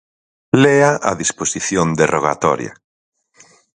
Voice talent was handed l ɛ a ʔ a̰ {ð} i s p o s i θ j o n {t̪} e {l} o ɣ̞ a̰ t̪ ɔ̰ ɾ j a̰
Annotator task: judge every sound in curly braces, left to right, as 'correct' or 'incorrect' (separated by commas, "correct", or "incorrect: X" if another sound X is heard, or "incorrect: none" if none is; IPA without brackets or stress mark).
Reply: correct, incorrect: d̪, incorrect: r